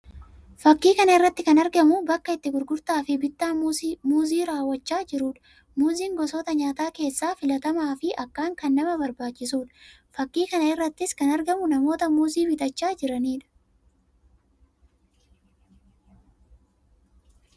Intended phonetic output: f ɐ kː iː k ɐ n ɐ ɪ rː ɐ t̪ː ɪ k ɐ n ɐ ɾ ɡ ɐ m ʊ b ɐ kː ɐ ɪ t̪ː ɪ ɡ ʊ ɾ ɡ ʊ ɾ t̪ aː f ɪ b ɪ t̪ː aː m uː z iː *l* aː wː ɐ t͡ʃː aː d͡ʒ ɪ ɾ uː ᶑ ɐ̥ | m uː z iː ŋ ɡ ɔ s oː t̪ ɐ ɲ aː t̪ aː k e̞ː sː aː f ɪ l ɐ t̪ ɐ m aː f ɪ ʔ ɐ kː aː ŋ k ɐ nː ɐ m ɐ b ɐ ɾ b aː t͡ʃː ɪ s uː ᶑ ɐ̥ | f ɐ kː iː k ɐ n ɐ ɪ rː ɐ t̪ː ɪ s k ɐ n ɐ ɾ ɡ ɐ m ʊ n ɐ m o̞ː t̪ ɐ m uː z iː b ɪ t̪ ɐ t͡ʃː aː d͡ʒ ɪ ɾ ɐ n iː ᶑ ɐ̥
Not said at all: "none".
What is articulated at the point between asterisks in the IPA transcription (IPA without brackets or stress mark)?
ɾ